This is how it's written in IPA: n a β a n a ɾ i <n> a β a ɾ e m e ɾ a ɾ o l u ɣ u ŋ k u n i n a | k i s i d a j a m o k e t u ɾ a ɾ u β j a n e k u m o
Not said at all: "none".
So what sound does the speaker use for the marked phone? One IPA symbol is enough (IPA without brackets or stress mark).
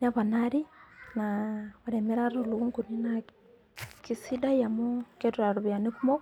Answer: n